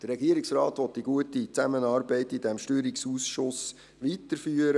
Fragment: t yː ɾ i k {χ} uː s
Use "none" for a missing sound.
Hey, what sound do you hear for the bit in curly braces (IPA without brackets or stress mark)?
s